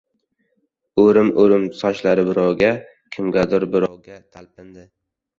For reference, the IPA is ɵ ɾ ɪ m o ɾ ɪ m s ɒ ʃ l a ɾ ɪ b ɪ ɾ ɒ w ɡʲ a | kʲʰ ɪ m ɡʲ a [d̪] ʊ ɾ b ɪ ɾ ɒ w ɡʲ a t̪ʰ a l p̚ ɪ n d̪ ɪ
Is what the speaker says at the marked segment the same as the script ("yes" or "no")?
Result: yes